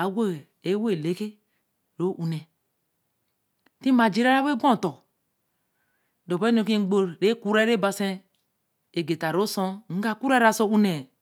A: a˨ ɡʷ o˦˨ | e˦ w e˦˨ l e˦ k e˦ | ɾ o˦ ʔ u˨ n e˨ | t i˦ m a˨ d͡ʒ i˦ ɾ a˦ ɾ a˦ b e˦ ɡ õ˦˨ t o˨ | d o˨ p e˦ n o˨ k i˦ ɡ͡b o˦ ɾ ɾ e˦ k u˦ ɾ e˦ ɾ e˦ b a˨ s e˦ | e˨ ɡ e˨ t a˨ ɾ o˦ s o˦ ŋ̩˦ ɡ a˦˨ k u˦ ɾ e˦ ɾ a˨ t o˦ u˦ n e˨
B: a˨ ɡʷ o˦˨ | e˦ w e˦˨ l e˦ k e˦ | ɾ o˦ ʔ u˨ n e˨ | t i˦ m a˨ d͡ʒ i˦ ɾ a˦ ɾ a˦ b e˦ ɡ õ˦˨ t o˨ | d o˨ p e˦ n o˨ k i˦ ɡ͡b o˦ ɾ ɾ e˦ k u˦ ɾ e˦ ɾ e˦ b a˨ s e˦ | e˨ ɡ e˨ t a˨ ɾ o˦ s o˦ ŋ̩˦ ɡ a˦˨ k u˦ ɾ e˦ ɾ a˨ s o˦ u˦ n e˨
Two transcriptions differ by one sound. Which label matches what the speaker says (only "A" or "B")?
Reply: B